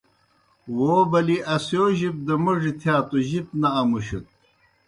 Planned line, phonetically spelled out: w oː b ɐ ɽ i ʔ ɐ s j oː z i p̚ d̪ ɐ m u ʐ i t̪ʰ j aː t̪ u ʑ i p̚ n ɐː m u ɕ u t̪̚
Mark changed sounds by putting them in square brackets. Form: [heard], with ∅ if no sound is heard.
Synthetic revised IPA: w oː b ɐ [l] i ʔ ɐ s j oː [ʑ] i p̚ d̪ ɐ m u ʐ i t̪ʰ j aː t̪ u ʑ i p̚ n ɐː m u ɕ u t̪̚